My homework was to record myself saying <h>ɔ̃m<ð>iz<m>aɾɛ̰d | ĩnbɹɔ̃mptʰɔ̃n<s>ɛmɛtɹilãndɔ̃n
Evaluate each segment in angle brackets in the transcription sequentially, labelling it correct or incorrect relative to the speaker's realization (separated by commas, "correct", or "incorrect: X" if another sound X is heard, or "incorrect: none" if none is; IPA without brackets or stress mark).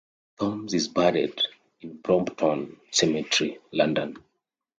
incorrect: θ, incorrect: z, incorrect: b, correct